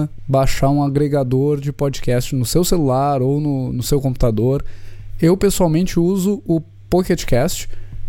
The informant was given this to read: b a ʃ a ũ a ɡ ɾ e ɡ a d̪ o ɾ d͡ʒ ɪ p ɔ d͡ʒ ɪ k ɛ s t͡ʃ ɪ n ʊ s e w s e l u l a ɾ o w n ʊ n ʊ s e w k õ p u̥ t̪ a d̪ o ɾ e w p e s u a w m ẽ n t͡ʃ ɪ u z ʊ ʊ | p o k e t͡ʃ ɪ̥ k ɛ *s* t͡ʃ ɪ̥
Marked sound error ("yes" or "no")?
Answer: no